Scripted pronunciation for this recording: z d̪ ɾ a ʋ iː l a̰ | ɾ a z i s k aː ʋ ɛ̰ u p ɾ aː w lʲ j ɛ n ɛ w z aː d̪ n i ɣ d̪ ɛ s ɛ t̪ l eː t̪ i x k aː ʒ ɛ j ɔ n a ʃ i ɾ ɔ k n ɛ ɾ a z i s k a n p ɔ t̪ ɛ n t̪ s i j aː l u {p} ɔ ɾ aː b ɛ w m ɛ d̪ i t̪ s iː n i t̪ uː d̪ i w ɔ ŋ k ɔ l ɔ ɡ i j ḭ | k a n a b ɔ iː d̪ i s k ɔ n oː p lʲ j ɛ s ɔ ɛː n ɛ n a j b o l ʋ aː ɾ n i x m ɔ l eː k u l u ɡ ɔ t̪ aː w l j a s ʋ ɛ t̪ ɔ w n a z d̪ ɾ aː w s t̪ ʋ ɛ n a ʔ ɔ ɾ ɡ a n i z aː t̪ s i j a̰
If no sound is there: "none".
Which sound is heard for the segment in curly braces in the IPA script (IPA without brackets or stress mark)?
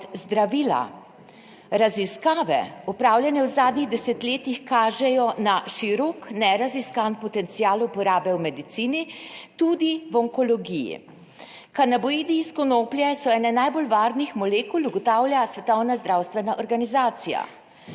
p